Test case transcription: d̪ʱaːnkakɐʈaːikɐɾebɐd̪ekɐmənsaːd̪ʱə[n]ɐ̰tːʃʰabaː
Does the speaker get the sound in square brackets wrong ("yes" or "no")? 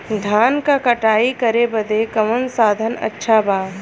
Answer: no